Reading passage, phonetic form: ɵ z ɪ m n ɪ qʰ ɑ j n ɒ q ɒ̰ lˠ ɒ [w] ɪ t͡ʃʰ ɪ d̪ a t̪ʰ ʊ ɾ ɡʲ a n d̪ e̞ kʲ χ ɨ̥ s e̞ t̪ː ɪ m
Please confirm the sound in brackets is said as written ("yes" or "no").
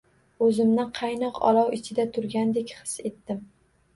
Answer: yes